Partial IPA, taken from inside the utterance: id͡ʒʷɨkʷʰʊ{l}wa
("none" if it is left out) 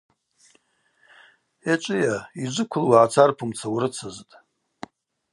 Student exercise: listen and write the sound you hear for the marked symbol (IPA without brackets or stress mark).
l